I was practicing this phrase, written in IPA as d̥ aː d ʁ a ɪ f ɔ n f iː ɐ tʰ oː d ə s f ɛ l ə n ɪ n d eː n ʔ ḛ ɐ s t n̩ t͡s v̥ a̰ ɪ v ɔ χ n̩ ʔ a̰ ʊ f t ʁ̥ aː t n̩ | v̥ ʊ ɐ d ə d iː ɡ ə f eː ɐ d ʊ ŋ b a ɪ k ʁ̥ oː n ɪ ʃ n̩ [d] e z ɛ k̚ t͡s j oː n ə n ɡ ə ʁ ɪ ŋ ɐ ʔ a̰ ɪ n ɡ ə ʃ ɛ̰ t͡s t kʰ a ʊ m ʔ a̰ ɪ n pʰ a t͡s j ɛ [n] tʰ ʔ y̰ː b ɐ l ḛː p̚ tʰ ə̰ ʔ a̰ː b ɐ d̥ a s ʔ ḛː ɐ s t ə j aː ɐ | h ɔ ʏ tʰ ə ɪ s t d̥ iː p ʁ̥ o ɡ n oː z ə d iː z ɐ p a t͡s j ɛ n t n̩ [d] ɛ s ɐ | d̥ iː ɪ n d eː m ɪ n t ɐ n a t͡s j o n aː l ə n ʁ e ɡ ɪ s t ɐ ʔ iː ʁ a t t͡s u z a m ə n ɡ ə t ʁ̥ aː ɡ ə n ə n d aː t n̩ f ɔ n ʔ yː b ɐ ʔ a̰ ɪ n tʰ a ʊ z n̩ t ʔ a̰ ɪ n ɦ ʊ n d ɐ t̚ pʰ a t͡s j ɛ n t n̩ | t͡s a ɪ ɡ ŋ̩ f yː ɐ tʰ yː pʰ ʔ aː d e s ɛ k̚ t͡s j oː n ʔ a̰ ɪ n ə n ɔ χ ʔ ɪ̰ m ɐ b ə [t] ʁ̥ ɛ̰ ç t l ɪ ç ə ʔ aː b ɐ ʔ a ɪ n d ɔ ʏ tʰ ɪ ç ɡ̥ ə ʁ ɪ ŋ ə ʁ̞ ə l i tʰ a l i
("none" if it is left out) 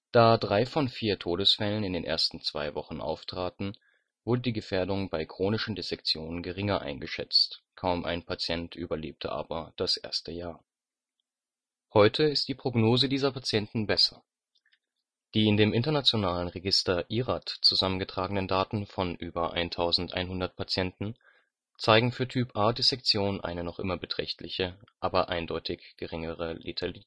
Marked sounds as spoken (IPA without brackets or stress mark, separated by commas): d, n, b, t